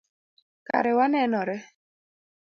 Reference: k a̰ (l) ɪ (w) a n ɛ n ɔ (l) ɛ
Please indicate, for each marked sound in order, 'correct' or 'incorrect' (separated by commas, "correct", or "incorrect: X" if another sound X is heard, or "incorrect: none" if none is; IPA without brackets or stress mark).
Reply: incorrect: ɾ, correct, incorrect: ɾ